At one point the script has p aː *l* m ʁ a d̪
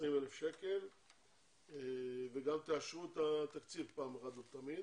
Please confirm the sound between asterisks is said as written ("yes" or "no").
no